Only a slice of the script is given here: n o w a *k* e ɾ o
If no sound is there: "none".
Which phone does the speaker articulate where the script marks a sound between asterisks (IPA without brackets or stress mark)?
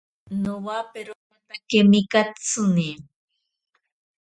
p